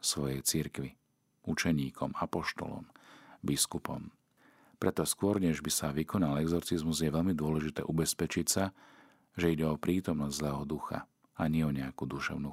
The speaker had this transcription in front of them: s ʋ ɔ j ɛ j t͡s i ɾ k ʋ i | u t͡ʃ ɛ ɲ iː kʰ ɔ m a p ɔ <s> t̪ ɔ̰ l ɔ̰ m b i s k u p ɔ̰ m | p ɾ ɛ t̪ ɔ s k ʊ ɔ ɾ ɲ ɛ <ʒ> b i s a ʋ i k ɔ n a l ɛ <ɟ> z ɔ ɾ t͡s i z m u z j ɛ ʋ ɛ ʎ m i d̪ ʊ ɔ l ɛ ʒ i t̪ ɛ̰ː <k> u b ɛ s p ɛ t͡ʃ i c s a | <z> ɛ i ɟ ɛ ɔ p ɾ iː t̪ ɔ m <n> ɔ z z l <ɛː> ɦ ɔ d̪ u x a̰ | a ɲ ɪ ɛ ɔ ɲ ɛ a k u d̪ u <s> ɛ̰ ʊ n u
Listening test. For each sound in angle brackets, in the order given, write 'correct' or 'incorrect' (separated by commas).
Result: incorrect, correct, incorrect, incorrect, incorrect, correct, correct, incorrect